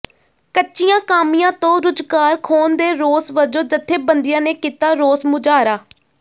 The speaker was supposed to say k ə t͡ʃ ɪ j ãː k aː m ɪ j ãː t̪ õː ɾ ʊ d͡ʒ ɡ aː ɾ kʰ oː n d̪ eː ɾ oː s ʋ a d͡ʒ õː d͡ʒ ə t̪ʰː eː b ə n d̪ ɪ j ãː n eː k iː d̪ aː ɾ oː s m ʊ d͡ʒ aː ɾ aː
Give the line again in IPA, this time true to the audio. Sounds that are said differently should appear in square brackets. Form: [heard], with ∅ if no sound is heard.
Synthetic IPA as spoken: k ə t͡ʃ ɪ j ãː k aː m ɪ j ãː t̪ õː ɾ ʊ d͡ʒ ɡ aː ɾ kʰ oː n d̪ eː ɾ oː s ʋ [ə] d͡ʒ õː d͡ʒ ə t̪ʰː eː b ə n d̪ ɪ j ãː n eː k iː [t̪] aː ɾ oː s m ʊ d͡ʒ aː ɾ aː